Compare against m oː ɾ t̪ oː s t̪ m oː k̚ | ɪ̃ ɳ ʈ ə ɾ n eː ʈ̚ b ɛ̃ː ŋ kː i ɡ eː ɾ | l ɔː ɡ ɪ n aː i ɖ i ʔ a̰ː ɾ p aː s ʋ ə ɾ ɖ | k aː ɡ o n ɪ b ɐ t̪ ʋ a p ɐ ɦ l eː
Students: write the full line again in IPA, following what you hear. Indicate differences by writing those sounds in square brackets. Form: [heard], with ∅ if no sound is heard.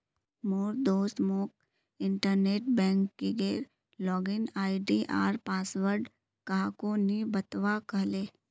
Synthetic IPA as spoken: m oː ɾ [d̪] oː s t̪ m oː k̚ | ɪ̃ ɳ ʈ ə ɾ n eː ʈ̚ b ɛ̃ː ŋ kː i ɡ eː ɾ | l ɔː ɡ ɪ n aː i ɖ i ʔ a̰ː ɾ p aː s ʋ ə ɾ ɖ | k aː [k] o n [i] b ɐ t̪ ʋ a [k] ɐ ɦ l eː

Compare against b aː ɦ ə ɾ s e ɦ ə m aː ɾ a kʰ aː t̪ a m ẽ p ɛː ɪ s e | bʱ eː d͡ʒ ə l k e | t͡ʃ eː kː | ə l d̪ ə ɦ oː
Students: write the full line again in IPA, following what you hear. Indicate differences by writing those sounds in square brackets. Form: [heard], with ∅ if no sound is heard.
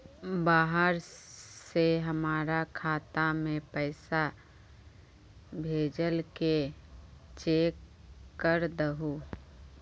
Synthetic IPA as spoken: b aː ɦ ə ɾ s e ɦ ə m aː ɾ a kʰ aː t̪ a m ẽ p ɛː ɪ s [a] | bʱ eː d͡ʒ ə l k e | t͡ʃ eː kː | ə [ɾ] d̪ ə ɦ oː

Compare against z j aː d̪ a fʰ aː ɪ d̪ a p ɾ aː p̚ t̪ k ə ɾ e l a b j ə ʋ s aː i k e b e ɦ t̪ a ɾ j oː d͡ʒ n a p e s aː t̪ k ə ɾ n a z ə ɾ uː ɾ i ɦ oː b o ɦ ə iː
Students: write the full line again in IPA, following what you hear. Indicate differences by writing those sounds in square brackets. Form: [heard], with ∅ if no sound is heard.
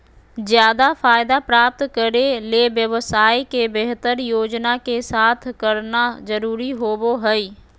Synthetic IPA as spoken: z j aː d̪ a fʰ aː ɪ d̪ a p ɾ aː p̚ t̪ k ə ɾ e l [e] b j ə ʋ s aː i k e b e ɦ t̪ [ə] ɾ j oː d͡ʒ n a [k] e s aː [t̪ʰ] k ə ɾ n a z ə ɾ uː ɾ i ɦ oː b o ɦ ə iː

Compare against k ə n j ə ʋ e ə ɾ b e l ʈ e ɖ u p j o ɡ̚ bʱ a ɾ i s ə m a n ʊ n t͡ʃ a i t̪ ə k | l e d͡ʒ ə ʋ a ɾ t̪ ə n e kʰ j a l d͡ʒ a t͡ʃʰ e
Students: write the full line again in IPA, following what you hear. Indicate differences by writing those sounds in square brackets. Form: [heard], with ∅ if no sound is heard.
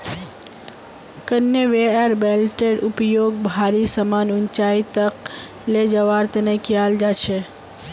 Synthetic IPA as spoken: k ə n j ə ʋ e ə ɾ b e l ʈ e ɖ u p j o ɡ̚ bʱ a ɾ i s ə m a n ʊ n t͡ʃ a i t̪ ə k | l e d͡ʒ ə ʋ a ɾ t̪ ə n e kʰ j a l d͡ʒ a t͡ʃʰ e

